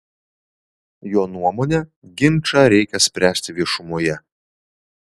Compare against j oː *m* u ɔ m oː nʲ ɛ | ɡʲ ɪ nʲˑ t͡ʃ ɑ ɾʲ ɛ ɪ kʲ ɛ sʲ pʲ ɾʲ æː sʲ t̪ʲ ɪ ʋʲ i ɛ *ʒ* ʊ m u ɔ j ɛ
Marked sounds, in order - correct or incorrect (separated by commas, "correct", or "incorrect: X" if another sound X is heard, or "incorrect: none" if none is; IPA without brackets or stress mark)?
incorrect: n, incorrect: ʃ